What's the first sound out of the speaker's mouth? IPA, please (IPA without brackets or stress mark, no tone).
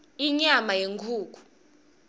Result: i